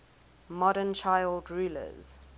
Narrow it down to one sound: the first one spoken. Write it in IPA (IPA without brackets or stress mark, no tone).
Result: m